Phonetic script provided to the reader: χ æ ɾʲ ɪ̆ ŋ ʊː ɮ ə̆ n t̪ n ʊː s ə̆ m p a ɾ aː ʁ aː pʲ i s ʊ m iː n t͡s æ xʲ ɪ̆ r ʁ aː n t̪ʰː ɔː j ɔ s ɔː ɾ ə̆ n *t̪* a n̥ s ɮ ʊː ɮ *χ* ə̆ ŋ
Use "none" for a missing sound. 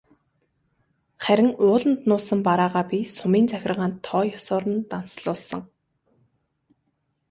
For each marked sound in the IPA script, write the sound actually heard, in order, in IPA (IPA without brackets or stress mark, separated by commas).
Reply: t̪, s